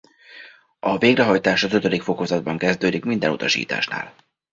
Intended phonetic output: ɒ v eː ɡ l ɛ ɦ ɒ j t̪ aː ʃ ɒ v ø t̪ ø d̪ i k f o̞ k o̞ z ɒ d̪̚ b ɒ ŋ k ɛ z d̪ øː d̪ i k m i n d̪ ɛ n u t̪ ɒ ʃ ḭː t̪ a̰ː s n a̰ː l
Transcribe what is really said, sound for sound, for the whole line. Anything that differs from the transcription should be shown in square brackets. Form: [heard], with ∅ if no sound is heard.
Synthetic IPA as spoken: ɒ v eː ɡ [r] ɛ ɦ ɒ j t̪ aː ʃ ɒ [z] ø t̪ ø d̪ i k f o̞ k o̞ z ɒ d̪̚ b ɒ ŋ k ɛ z d̪ øː d̪ i k m i n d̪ ɛ n u t̪ ɒ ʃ ḭː t̪ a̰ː [ʃ] n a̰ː l